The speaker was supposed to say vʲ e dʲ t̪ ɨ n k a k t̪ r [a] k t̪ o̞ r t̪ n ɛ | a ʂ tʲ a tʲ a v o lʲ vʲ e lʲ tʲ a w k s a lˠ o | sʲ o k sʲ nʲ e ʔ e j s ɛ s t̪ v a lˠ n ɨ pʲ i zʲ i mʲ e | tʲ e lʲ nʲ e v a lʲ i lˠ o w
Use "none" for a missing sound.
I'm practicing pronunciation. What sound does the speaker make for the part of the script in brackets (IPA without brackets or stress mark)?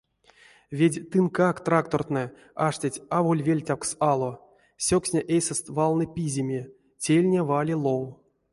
a